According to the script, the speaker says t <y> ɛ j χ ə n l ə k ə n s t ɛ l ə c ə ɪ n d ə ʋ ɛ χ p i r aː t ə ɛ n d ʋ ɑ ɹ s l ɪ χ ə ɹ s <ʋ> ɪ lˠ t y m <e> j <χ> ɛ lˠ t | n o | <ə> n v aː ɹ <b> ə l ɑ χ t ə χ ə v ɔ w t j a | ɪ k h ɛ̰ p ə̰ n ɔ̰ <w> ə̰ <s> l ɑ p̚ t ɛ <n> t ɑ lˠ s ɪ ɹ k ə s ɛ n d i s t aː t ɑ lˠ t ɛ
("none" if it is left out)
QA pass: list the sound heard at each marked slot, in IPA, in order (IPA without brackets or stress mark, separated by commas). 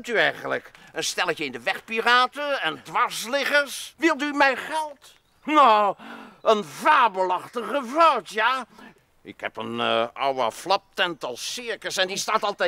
y, ʋ, ɛ, χ, ə, b, w, f, n